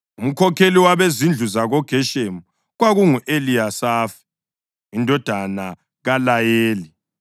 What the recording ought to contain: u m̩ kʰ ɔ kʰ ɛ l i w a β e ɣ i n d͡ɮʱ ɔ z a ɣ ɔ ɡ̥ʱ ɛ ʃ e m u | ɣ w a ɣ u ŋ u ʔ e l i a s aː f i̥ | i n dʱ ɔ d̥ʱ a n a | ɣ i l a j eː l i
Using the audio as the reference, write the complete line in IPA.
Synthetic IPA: u m̩ kʰ ɔ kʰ e l i w a β e z i n d͡ɮʱ u z a ɣ ɔ ɡ̥ʱ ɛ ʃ e m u | ɣ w a ɣ u ŋ u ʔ e l i a s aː f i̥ | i n dʱ ɔ d̥ʱ a n a | ɣ a l a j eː l i